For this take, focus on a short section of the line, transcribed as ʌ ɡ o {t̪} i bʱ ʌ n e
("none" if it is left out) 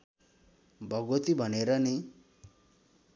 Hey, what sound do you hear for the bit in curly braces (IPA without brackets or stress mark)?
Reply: t̪